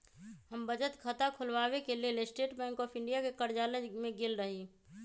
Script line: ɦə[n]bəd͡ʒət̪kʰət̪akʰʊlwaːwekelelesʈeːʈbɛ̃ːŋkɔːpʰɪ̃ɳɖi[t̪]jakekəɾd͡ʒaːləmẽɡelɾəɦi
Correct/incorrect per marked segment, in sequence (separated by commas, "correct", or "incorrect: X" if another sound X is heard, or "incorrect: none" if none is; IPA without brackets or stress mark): incorrect: m, incorrect: none